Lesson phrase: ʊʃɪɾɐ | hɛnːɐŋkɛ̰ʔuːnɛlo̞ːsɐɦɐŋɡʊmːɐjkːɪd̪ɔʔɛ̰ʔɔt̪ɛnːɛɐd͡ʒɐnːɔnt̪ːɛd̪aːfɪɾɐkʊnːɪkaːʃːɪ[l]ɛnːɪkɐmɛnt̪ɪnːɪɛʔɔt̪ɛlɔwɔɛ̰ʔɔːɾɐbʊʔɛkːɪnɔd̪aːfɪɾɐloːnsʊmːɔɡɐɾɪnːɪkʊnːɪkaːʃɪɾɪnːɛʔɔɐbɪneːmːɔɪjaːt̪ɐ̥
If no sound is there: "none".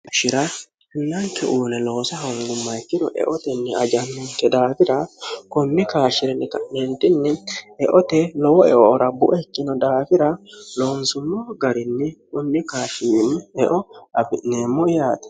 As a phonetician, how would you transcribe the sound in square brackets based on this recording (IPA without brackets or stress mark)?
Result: ɾ